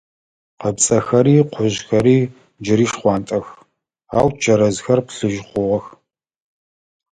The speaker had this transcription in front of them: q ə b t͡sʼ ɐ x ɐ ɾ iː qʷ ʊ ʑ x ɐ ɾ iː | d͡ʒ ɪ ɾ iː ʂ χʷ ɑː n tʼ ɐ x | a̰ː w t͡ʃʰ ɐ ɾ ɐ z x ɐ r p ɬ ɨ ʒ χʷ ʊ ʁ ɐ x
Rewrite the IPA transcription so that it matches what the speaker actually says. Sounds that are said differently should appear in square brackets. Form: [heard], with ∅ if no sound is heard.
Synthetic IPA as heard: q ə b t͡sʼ ɐ x ɐ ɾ iː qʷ ʊ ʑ x ɐ ɾ iː | d͡ʒ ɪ ɾ iː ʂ χʷ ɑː n tʼ ɐ x | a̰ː w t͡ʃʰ ɐ ɾ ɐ z x ɐ r p ɬ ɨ ʒ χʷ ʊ ʁ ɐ x